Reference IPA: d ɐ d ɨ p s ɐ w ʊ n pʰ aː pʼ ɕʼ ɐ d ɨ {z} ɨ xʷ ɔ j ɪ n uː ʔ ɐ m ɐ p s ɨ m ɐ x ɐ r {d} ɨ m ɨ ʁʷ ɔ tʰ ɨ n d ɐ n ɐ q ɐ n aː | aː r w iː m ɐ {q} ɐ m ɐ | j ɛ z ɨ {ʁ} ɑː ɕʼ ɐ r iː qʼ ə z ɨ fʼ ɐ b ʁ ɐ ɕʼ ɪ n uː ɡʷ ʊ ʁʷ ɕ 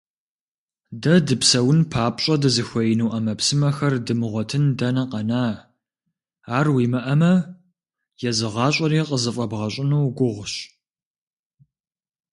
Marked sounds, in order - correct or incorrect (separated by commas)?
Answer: correct, correct, incorrect, correct